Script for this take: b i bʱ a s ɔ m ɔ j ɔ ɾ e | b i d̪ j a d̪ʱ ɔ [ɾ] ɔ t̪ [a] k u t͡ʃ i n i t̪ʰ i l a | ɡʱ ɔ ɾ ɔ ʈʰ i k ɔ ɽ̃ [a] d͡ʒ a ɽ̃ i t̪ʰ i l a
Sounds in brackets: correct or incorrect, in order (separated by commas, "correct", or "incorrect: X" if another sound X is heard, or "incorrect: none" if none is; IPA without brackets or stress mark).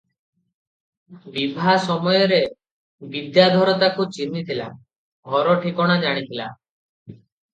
correct, correct, correct